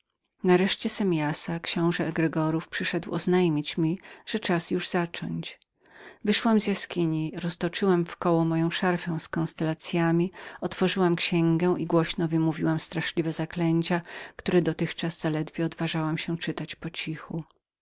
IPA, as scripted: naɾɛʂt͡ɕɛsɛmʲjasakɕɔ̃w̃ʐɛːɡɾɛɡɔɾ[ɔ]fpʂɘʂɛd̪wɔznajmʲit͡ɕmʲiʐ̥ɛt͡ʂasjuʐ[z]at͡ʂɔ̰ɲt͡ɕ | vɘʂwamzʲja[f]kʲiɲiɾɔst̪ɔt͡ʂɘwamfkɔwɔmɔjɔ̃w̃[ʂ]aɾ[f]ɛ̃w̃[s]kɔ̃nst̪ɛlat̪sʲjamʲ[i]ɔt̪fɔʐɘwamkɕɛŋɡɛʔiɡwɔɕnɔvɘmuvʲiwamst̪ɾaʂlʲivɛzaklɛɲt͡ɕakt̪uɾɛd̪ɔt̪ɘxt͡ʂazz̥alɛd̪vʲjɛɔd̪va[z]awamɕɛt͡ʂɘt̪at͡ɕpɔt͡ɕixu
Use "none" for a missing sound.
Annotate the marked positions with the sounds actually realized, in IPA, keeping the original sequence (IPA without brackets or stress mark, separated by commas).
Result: u, z, s, ʂ, f, s, i, ʐ